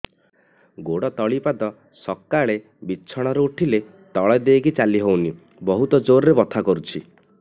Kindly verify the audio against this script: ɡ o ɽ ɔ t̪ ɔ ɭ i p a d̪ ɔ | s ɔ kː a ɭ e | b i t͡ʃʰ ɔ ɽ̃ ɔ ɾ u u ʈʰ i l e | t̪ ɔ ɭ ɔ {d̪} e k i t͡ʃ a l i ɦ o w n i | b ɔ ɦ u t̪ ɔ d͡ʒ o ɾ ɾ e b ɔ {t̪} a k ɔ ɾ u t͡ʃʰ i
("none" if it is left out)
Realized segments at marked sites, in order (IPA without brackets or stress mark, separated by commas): d̪, t̪ʰ